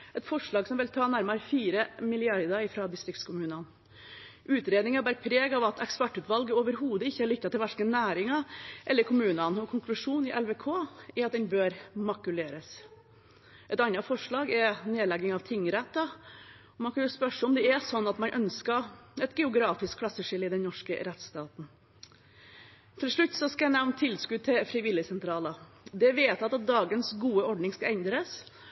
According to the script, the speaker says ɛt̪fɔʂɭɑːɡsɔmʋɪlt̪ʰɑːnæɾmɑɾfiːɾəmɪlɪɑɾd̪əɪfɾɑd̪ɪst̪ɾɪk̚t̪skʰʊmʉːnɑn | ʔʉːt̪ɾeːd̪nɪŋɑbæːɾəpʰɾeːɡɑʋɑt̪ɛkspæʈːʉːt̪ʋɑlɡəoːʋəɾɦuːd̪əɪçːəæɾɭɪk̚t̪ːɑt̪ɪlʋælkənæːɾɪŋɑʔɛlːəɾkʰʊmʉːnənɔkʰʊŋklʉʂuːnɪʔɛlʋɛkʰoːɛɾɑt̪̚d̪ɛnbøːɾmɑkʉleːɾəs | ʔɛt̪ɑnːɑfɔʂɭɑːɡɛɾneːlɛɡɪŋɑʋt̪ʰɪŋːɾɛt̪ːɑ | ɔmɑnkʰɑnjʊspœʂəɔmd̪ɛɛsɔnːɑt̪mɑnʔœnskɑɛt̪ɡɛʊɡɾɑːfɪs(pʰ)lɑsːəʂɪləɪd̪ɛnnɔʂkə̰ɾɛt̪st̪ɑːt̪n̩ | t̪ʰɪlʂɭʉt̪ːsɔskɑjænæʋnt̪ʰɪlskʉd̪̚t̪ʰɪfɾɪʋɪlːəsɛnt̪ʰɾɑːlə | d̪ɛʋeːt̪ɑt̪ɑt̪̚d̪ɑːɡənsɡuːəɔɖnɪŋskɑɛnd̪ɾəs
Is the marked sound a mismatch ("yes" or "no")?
yes